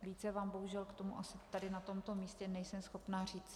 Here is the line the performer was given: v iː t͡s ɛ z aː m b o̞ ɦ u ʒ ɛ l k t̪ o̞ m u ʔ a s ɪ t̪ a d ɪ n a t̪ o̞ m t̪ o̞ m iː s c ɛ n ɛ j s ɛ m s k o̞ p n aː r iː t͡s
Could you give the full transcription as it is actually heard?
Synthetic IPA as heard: v iː t͡s ɛ v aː m b o̞ ɦ u ʒ ɛ l k t̪ o̞ m u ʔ a s ɪ t̪ a d ɪ n a t̪ o̞ m t̪ o̞ m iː s c ɛ n ɛ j s ɛ m s x o̞ p n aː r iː t͡s